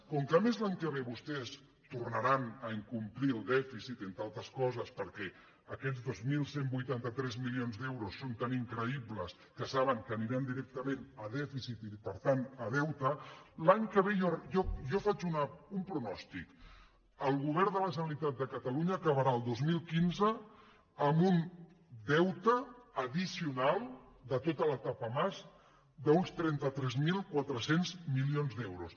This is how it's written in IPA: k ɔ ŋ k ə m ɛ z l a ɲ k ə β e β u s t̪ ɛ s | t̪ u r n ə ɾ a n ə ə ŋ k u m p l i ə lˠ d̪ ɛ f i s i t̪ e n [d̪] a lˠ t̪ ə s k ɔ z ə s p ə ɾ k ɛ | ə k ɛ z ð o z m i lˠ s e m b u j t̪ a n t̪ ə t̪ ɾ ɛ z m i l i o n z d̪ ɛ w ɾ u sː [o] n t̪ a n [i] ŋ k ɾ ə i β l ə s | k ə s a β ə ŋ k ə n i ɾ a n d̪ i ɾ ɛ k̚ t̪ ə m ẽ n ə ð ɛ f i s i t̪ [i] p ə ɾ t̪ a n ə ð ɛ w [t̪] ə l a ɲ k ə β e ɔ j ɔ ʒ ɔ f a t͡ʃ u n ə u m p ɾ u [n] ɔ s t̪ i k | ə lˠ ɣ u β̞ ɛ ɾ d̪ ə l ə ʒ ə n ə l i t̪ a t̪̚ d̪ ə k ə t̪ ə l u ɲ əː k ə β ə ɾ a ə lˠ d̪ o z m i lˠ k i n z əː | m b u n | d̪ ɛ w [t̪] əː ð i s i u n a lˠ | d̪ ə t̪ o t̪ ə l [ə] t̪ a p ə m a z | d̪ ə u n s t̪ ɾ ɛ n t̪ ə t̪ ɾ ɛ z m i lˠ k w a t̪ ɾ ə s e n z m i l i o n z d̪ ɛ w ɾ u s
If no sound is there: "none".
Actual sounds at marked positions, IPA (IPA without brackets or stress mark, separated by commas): t̪, o, i, i, t̪, n, t̪, ə